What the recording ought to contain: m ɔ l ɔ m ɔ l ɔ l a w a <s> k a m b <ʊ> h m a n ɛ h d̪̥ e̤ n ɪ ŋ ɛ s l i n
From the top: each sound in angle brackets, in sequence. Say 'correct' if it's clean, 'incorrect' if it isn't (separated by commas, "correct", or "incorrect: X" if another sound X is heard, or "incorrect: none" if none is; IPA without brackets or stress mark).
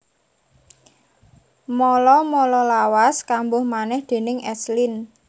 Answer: correct, correct